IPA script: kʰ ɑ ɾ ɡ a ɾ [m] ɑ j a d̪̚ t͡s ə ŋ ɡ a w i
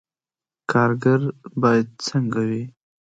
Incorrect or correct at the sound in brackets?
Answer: incorrect: b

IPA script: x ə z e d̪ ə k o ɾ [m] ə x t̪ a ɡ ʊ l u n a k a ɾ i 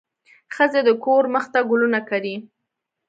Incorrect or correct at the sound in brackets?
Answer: correct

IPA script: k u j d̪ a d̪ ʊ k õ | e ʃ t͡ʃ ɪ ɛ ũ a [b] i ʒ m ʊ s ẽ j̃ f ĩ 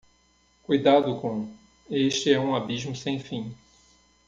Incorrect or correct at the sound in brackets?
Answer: correct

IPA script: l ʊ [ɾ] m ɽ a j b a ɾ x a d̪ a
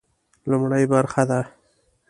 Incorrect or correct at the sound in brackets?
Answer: incorrect: none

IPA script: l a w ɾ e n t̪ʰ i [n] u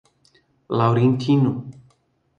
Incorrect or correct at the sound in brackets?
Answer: correct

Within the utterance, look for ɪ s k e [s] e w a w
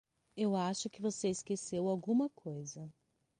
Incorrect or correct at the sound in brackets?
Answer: correct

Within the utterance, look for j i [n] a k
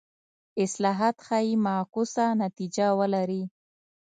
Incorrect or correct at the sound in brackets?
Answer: incorrect: m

